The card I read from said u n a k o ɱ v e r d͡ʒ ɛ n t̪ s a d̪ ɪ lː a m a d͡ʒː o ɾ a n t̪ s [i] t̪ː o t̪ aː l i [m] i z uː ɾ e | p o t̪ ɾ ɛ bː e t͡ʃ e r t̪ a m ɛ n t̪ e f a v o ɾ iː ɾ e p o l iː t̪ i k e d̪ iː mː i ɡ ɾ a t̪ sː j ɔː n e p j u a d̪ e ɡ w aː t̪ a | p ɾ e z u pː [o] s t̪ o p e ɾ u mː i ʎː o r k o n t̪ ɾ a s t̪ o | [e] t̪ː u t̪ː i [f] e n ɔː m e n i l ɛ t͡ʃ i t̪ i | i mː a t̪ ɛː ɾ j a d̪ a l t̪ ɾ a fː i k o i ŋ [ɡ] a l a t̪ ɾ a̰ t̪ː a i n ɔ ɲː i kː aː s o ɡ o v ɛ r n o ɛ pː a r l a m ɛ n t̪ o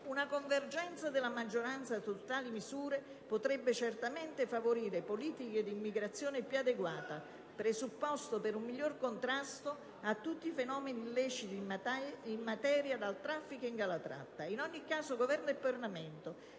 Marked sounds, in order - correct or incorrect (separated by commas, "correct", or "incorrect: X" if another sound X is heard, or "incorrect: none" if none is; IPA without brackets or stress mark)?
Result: incorrect: a, correct, incorrect: ɔ, incorrect: a, correct, correct